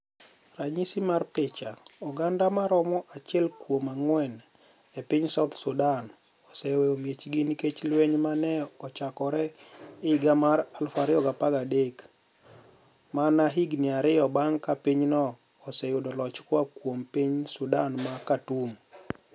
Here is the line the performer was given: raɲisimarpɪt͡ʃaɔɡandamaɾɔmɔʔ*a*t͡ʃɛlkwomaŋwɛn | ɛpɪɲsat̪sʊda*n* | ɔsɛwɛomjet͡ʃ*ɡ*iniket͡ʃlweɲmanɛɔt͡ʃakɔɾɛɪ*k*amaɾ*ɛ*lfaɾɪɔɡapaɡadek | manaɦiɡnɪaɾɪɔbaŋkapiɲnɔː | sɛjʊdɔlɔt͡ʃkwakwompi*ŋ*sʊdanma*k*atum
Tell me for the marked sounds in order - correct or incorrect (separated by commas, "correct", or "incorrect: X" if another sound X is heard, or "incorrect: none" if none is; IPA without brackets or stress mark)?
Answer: correct, correct, correct, incorrect: ɡ, incorrect: a, incorrect: ɲ, correct